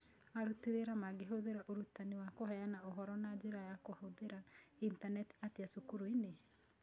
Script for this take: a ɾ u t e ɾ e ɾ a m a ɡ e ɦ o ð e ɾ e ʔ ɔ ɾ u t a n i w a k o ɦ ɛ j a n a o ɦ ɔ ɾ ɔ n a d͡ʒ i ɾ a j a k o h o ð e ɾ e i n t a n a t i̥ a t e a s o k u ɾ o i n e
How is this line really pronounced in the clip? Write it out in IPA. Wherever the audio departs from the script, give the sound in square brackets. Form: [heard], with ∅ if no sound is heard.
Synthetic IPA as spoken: a ɾ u t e ɾ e ɾ a m a ɡ e ɦ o ð e ɾ [a] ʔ [o] ɾ u t a n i w a k o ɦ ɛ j a n a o ɦ ɔ ɾ ɔ n a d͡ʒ [e] ɾ a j a k o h o ð e ɾ [a] i n t a n [ɛ] t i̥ a t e a s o k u ɾ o i n e